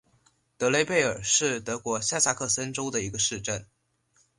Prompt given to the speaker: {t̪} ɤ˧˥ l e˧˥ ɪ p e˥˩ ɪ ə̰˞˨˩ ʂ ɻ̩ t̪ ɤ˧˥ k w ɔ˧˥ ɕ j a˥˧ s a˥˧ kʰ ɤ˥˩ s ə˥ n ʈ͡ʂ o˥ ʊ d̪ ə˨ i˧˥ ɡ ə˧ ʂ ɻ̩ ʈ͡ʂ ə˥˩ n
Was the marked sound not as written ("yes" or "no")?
no